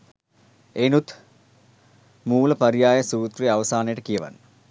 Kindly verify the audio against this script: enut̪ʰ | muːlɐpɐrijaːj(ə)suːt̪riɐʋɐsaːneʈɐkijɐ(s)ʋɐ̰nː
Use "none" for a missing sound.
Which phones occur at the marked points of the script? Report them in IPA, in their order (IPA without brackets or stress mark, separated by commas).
ɐ, none